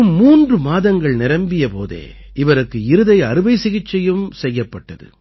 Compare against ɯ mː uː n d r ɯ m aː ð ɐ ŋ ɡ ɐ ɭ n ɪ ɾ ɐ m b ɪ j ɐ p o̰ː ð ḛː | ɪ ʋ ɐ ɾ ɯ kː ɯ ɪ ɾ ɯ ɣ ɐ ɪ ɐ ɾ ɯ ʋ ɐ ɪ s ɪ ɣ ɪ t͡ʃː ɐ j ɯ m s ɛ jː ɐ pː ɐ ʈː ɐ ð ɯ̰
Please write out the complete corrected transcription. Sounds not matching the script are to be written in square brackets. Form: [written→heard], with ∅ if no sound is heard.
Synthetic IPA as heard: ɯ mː uː n d r ɯ m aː ð ɐ ŋ ɡ ɐ ɭ n ɪ ɾ ɐ m b ɪ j ɐ p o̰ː ð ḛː | ɪ ʋ ɐ ɾ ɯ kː ɯ ɪ ɾ ɯ [ɣ→ð] ɐ ɪ ɐ ɾ ɯ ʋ ɐ ɪ s ɪ ɣ ɪ t͡ʃː ɐ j ɯ m s ɛ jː ɐ pː ɐ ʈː ɐ ð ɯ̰